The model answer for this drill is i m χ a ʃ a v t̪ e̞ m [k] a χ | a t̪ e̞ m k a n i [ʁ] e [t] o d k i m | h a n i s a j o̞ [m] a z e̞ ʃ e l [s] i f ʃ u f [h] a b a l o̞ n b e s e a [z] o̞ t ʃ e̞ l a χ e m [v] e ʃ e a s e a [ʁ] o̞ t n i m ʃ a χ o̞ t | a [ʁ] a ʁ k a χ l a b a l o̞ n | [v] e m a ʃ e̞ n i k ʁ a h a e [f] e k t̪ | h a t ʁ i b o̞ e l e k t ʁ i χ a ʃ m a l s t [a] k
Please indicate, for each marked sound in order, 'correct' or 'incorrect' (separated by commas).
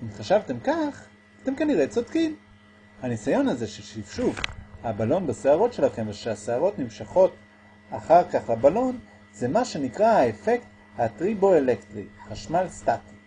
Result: correct, correct, incorrect, incorrect, incorrect, correct, incorrect, correct, correct, incorrect, incorrect, correct, correct